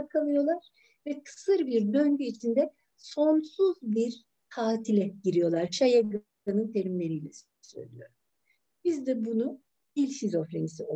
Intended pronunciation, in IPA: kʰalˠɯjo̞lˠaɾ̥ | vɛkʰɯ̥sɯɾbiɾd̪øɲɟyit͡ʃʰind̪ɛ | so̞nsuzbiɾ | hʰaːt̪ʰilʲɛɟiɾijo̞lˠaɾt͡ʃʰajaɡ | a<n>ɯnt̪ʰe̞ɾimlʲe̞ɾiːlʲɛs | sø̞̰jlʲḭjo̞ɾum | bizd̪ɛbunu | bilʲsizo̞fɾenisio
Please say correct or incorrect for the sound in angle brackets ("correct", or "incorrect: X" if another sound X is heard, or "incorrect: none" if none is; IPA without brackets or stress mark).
correct